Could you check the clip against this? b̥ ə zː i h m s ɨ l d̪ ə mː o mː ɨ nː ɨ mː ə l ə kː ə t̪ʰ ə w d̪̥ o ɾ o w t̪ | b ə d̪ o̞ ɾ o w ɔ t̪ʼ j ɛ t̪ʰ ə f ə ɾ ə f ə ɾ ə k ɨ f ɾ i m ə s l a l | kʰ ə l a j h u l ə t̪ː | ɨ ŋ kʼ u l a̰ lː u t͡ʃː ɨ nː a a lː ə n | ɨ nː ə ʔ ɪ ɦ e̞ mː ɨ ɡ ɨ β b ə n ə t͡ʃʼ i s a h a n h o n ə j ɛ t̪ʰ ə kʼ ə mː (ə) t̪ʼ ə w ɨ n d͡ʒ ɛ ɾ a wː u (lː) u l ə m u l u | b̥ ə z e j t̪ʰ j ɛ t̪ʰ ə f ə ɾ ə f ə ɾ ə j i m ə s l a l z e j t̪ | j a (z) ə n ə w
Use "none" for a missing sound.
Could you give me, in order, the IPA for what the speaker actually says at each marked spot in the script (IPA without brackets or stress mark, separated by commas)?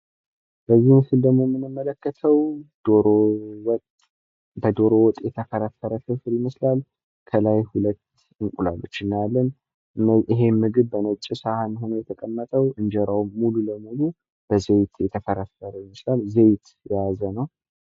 ə, l, z